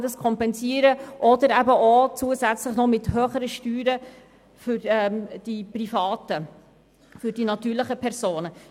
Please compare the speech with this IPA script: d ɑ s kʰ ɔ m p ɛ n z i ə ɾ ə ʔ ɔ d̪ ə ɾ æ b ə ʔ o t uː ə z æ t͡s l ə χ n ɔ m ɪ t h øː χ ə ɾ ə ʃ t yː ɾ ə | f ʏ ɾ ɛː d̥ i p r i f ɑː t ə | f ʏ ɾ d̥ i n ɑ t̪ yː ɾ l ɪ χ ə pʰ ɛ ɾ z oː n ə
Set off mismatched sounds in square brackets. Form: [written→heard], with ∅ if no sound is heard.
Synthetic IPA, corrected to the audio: d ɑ s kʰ ɔ m p ɛ n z i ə ɾ ə ʔ ɔ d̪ ə ɾ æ b ə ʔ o [t→t͡s] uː ə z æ t͡s l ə χ n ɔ m ɪ t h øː χ ə ɾ ə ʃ t yː ɾ ə | f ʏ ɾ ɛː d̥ i p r i f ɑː t ə | f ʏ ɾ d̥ i n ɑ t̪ yː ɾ l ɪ χ ə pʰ ɛ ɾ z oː n ə